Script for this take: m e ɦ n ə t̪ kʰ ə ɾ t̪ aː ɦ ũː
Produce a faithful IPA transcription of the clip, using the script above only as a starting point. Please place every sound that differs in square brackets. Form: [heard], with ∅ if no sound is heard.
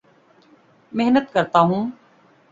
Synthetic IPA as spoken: m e ɦ n ə t̪ [k] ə ɾ t̪ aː ɦ ũː